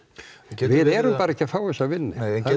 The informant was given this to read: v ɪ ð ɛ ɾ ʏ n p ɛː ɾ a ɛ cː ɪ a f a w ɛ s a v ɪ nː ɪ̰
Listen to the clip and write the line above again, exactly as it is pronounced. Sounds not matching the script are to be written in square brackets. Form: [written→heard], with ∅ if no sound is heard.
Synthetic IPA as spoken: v ɪ ð ɛ ɾ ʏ [n→m] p [ɛː→aː] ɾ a ɛ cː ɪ a f a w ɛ s a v ɪ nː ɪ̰